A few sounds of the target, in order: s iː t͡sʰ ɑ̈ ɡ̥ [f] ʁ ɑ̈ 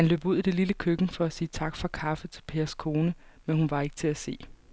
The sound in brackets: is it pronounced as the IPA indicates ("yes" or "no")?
yes